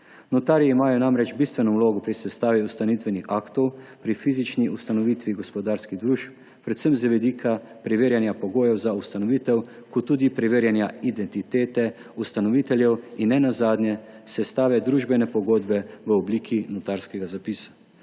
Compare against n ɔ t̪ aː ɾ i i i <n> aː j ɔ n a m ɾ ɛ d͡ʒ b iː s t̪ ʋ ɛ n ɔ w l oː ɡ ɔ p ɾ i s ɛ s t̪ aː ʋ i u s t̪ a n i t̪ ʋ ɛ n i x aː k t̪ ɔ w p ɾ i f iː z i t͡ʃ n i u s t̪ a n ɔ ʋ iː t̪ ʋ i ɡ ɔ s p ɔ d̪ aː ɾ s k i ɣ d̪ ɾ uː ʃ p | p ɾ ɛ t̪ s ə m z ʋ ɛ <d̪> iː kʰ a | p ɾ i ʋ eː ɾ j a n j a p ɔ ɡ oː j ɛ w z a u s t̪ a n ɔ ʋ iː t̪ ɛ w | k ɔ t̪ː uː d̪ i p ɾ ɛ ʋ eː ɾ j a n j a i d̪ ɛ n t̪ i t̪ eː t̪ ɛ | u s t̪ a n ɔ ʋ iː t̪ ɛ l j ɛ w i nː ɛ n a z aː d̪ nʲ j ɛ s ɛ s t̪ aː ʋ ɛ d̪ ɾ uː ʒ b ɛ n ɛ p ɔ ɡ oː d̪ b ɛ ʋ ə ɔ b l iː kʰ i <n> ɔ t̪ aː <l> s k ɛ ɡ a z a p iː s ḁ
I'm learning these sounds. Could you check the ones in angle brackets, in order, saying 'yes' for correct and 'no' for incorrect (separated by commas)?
no, yes, yes, no